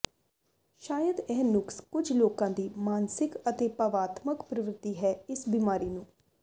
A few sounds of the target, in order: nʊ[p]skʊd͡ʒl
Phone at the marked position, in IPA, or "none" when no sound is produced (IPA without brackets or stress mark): k